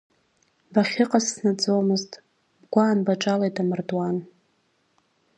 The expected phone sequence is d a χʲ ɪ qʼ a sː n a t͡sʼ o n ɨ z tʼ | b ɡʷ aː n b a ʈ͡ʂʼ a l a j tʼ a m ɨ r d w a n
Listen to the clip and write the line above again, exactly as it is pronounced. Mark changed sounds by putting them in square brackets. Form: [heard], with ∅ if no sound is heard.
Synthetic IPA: [b] a χʲ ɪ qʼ a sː n a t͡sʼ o [m] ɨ z tʼ | b ɡʷ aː n b a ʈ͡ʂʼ a l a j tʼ a m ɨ r d w a n